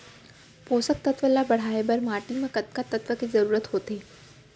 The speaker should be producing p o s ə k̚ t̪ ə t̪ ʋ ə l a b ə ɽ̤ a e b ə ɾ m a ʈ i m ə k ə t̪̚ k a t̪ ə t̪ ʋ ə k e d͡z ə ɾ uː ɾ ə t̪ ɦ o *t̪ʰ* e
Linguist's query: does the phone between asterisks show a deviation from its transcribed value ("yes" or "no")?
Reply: yes